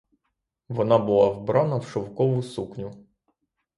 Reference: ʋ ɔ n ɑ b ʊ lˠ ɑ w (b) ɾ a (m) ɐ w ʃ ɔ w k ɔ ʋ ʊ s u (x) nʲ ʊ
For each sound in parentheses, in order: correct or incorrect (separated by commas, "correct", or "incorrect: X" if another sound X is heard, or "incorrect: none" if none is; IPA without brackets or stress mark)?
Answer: correct, incorrect: n, incorrect: k